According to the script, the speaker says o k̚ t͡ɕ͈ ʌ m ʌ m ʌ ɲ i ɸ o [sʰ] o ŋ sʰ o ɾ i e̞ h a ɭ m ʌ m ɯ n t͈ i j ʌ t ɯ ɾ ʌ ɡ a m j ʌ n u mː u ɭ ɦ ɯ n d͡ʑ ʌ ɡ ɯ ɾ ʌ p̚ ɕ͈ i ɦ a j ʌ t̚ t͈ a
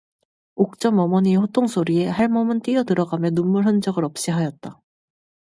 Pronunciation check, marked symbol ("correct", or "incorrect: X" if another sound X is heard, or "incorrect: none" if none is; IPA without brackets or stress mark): incorrect: tʰ